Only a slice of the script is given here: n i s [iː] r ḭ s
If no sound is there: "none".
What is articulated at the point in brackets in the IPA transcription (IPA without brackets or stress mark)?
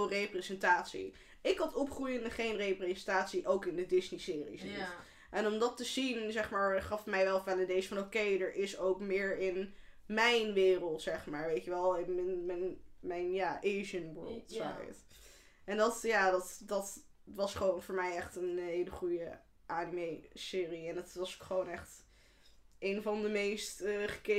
ɪː